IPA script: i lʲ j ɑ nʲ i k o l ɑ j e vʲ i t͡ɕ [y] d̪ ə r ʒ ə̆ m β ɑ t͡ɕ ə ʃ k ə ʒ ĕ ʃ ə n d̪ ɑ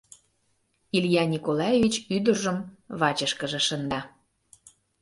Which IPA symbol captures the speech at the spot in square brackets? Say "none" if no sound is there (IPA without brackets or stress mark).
y